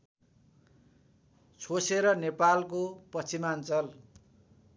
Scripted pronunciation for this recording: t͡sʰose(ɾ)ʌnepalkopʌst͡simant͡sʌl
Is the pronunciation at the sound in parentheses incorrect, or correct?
correct